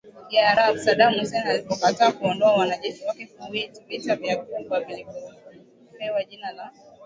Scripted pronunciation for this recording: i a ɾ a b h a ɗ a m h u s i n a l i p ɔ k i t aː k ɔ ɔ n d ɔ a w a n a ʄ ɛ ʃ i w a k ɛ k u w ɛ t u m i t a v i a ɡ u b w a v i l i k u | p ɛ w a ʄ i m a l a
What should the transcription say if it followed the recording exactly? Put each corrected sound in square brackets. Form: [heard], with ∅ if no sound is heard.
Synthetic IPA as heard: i a ɾ a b [s] a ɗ a m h u s [ɛ] n a l i p ɔ k [a] t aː k [u] ɔ n d ɔ a w a n a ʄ ɛ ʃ i w a k ɛ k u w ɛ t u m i t a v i a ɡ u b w a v i l i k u | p ɛ w a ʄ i [n] a l a